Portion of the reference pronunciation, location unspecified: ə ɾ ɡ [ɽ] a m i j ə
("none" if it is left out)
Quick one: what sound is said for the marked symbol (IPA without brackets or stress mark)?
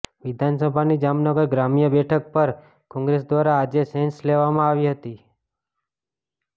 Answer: ɾ